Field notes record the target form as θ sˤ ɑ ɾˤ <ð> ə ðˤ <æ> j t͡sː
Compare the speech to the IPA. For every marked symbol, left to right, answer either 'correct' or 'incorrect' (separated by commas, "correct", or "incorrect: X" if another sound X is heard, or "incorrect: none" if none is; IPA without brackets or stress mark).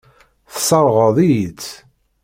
incorrect: ʁ, incorrect: i